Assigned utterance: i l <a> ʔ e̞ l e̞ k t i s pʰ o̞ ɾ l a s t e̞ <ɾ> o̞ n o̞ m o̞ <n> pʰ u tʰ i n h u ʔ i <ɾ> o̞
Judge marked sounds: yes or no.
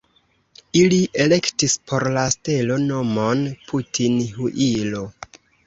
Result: no, no, yes, no

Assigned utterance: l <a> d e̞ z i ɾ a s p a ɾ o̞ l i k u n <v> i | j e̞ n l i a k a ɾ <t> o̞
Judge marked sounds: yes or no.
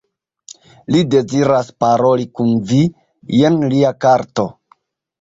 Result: no, yes, yes

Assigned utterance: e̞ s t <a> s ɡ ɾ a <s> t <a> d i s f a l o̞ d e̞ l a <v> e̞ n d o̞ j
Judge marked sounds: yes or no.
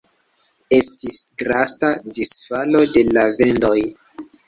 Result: no, yes, yes, yes

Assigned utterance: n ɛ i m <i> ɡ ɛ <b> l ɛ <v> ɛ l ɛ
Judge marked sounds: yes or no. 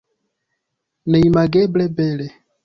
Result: no, yes, no

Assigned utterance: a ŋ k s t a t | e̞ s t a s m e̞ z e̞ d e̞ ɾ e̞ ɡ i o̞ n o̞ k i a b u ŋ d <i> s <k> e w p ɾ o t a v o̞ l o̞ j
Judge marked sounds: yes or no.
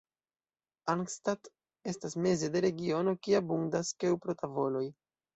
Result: no, yes

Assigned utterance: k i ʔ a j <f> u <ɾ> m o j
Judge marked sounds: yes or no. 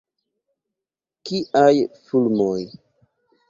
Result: yes, no

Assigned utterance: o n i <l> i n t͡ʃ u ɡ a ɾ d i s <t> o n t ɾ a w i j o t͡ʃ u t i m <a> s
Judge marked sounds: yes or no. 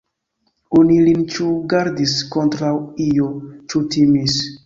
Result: yes, no, no

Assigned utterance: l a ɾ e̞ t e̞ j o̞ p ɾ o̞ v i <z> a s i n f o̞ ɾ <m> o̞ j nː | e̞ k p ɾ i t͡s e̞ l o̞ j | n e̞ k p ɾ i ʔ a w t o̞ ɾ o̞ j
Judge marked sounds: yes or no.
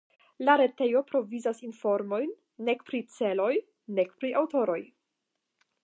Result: yes, yes

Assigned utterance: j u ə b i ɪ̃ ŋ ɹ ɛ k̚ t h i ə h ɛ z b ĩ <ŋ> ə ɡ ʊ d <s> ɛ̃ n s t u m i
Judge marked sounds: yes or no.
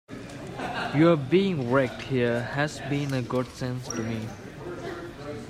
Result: no, yes

